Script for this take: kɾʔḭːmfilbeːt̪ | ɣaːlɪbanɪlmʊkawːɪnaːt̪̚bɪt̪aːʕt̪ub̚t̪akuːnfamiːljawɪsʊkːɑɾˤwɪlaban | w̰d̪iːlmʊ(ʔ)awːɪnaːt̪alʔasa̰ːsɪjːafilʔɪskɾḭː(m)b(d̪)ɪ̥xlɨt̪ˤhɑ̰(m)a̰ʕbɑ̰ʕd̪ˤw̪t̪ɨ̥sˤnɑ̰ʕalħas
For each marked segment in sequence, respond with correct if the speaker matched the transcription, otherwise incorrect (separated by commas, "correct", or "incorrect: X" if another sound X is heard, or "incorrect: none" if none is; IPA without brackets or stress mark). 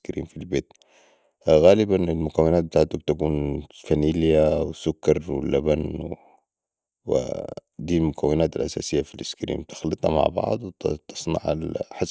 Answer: incorrect: k, correct, incorrect: t̪, correct